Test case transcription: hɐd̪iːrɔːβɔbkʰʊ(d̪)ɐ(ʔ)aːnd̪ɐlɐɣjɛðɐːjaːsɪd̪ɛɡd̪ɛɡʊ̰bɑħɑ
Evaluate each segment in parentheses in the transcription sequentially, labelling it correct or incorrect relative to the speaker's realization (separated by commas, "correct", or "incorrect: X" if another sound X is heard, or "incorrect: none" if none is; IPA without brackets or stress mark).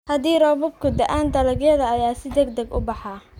correct, correct